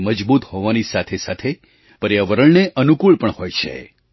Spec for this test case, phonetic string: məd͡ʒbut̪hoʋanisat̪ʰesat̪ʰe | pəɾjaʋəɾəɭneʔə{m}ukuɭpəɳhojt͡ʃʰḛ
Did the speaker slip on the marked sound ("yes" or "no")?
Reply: yes